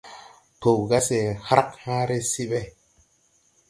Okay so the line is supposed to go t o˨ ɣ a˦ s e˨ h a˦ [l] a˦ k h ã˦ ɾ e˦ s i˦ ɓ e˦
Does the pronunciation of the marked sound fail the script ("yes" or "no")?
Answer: yes